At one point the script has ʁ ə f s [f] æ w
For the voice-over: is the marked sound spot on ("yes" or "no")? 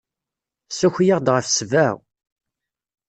no